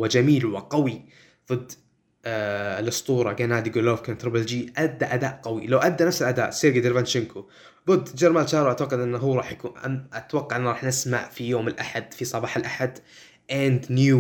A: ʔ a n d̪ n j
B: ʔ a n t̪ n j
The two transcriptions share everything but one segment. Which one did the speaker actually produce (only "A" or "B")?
A